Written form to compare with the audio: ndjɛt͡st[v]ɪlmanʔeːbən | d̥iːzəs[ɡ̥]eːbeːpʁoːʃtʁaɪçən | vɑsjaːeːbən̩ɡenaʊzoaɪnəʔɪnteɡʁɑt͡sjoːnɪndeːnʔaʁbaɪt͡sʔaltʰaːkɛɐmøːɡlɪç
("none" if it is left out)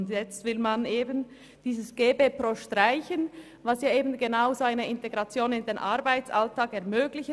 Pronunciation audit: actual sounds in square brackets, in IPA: v, ɡ̥

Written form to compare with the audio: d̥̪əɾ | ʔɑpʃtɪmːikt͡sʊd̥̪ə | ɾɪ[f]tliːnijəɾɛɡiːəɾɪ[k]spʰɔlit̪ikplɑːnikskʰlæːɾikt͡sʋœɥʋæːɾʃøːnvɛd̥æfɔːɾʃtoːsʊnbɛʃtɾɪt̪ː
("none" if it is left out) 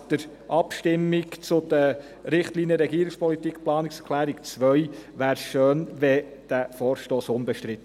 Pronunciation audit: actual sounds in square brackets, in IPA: χ, k

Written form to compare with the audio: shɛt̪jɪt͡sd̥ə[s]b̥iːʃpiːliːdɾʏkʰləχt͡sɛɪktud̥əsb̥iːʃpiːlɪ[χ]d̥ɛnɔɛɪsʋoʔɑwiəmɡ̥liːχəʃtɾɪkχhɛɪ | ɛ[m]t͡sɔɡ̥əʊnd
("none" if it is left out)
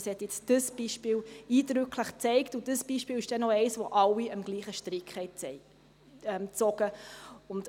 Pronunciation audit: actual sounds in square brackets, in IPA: s, ʃ, m

